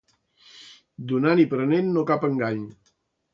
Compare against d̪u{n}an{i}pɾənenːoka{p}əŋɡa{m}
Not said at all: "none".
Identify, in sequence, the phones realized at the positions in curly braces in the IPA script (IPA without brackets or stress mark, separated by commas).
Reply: n, i, p, ɲ